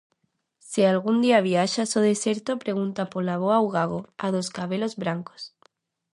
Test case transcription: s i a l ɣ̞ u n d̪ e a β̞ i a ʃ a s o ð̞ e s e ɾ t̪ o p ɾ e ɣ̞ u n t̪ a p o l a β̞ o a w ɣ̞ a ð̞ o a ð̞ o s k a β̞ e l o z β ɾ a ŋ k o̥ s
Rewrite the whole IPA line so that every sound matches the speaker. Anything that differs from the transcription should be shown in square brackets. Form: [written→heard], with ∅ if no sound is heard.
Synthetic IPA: s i a l ɣ̞ u n d̪ [e→i] a β̞ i a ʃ a s o ð̞ e s e ɾ t̪ o p ɾ e ɣ̞ u n t̪ a p o l a β̞ o a w ɣ̞ a [ð̞→ɣ̞] o a ð̞ o s k a β̞ e l o z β ɾ a ŋ k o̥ s